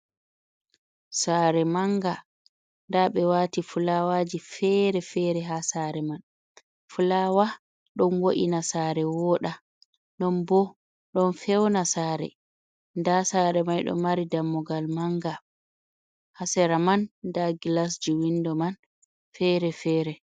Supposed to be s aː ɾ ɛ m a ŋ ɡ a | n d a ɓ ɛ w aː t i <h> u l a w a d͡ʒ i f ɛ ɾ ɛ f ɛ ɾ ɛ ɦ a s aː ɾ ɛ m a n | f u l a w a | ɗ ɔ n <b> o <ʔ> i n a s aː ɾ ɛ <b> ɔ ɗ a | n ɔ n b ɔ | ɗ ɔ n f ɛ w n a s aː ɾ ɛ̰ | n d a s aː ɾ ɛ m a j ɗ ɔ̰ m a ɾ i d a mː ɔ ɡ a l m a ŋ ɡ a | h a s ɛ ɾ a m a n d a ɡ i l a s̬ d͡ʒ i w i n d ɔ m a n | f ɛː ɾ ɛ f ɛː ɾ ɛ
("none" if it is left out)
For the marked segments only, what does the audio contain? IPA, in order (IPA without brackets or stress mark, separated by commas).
f, w, ʔ, w